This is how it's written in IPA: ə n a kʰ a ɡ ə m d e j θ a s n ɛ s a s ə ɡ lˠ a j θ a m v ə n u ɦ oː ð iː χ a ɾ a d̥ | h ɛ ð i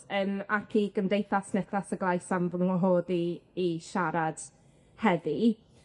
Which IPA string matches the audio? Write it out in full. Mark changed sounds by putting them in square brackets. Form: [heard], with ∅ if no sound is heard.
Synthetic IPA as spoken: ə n a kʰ [i] ɡ ə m d e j θ a s n ɛ [θ] a s ə ɡ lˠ a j [s] a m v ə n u ɦ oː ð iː [ʃ] a ɾ a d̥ | h ɛ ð i